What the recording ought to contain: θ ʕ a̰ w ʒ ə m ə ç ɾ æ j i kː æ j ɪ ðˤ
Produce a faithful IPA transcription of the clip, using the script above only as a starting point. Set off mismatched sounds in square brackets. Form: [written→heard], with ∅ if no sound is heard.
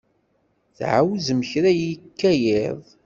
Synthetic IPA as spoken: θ ʕ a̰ w [ʒ→z] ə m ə ç ɾ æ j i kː æ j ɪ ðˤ